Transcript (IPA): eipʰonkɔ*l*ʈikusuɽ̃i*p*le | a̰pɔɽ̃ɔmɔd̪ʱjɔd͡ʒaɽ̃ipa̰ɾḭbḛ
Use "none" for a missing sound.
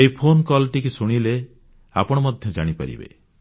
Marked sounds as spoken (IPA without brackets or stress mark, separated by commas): l, none